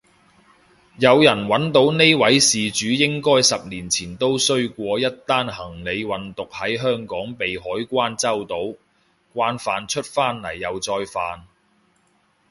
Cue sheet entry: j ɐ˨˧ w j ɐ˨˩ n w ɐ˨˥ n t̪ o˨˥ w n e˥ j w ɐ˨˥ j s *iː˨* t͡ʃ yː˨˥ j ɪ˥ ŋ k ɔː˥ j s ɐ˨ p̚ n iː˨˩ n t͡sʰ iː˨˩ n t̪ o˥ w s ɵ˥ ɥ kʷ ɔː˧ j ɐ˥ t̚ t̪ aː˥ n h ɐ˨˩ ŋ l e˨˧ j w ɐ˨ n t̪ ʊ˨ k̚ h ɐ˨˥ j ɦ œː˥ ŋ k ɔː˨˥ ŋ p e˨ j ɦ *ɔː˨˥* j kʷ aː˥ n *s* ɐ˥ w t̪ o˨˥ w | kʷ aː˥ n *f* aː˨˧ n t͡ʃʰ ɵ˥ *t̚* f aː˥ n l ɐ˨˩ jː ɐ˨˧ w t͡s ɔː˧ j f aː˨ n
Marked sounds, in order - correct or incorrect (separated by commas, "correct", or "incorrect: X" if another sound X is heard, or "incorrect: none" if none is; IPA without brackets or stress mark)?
correct, correct, incorrect: t͡s, correct, correct